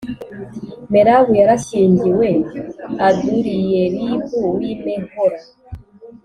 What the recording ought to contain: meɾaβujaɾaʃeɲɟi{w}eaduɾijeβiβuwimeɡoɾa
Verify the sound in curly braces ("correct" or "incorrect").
correct